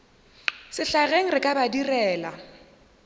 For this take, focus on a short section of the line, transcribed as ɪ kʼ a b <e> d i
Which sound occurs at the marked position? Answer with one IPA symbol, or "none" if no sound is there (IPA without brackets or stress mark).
a